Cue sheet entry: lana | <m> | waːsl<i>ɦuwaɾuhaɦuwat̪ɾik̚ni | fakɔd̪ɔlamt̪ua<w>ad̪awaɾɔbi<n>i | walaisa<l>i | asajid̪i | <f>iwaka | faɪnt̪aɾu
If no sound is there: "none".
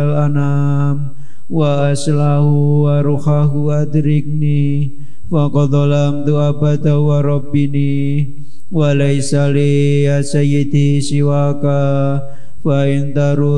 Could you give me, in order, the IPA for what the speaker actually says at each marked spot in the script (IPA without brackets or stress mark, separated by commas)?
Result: m, a, b, n, l, s